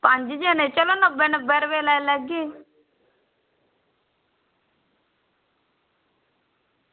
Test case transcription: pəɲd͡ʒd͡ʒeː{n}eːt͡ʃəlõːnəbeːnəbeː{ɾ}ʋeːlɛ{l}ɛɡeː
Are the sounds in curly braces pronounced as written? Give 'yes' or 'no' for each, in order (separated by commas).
yes, yes, yes